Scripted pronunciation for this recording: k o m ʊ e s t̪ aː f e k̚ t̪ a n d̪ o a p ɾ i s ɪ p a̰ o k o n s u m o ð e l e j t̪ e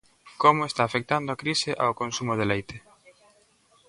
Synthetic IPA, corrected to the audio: k o m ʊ e s t̪ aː f e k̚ t̪ a n d̪ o a k ɾ i s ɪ ʔ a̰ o k o n s u m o ð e l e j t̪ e